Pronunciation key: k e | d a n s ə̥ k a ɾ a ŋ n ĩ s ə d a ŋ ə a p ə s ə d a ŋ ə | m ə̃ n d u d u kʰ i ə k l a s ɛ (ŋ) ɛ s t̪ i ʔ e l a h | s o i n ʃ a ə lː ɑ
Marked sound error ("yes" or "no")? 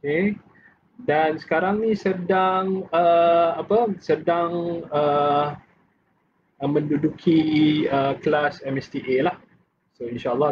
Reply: yes